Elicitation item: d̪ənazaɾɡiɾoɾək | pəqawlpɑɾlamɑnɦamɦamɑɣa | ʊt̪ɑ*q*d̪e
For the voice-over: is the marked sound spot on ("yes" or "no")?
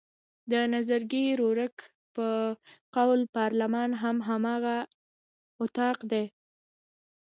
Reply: yes